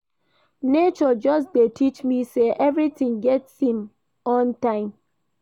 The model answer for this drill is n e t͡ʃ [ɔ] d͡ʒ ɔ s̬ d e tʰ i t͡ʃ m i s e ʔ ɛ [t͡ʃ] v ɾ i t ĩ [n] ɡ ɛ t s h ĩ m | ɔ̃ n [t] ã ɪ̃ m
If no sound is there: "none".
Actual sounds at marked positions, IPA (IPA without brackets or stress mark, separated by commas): ɔ, none, ŋ, t